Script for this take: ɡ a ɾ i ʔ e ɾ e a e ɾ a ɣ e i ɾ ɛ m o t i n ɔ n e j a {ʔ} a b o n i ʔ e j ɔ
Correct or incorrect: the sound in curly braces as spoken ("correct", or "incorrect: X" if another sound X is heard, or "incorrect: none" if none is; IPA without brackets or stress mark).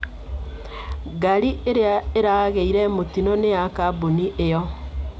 incorrect: k